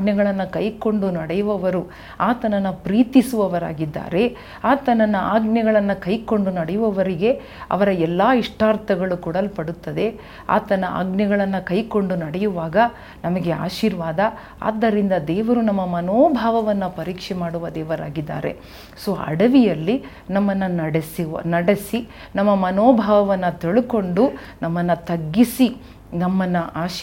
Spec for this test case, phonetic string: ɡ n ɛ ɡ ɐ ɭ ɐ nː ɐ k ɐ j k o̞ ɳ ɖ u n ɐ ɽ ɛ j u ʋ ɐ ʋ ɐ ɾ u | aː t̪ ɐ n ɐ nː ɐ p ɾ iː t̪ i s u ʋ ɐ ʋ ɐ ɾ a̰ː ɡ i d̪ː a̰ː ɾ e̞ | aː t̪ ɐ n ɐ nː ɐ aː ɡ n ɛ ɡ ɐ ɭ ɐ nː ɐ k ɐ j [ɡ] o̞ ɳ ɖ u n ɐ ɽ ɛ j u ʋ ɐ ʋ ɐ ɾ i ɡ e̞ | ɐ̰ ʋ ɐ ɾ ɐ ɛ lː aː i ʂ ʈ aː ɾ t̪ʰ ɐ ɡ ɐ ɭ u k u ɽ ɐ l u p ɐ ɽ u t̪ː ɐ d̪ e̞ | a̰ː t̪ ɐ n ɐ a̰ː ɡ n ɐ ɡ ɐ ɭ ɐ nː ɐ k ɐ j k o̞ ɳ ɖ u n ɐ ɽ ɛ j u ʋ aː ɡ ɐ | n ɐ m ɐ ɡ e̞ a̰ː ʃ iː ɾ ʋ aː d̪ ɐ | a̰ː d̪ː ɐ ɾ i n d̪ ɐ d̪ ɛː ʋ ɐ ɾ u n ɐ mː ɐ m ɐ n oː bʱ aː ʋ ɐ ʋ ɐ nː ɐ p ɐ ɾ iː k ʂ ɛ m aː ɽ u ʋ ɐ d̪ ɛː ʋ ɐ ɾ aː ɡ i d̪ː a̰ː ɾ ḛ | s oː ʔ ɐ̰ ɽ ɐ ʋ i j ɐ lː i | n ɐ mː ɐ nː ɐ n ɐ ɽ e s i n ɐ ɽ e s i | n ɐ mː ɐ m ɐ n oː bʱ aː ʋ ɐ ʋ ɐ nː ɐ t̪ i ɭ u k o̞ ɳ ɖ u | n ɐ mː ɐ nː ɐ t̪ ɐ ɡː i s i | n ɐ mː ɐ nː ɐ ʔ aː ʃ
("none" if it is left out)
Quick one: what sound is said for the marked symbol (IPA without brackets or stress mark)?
k